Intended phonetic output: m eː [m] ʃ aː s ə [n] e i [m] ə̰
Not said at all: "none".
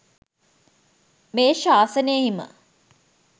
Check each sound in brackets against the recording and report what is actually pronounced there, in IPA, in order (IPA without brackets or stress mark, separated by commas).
none, n, m